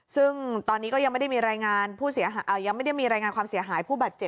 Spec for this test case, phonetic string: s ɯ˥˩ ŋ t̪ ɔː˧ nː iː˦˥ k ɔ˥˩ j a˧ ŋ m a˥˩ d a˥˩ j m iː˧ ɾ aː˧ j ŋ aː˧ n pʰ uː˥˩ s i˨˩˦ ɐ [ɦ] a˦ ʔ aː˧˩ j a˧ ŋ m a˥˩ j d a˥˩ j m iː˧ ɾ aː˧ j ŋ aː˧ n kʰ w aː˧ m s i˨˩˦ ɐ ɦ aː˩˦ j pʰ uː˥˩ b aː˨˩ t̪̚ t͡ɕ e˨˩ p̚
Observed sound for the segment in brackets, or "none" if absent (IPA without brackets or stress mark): ɦ